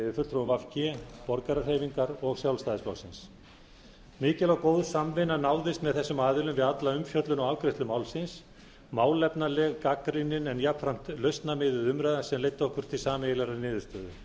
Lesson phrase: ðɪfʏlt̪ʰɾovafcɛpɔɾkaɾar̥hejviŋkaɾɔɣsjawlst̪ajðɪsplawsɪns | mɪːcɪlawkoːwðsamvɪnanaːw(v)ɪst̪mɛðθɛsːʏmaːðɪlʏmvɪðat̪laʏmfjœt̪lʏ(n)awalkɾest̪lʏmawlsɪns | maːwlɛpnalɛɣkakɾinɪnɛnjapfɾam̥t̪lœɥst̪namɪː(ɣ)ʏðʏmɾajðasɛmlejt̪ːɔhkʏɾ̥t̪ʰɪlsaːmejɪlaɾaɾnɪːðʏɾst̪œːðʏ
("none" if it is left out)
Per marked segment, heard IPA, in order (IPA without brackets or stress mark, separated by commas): ð, n, ð